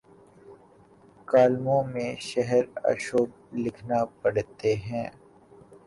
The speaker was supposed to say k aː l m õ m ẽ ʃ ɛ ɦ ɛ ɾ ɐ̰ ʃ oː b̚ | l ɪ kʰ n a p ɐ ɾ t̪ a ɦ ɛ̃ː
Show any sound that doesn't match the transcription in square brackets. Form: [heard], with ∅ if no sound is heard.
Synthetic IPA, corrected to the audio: k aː l m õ m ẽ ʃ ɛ ɦ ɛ ɾ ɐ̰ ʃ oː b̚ | l ɪ kʰ n a p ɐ [ɽ] t̪ [e] ɦ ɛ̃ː